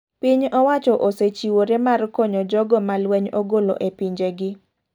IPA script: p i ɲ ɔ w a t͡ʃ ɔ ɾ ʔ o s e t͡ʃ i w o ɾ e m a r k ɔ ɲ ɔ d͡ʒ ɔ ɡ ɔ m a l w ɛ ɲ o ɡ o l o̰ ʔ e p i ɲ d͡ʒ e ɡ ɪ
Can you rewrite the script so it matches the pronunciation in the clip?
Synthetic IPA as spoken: p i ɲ ɔ w a t͡ʃ ɔ ʔ o s e t͡ʃ i w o ɾ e m a r k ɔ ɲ ɔ d͡ʒ ɔ ɡ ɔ m a l w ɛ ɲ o ɡ o l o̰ ʔ e p i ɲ d͡ʒ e ɡ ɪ